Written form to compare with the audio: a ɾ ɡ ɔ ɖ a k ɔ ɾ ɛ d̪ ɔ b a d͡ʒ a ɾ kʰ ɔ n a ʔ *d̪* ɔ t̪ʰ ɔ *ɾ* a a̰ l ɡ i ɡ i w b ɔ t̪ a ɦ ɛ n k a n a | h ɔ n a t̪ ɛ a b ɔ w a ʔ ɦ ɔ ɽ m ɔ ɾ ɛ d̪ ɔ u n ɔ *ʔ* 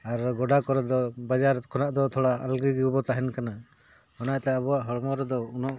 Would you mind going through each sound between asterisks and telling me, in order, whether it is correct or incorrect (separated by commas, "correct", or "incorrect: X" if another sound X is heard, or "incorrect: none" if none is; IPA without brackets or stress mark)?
correct, incorrect: ɽ, correct